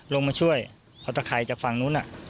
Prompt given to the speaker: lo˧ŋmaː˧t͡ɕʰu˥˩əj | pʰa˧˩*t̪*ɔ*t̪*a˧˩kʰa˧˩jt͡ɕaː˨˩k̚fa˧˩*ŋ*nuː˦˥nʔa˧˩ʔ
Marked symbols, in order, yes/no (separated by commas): yes, no, yes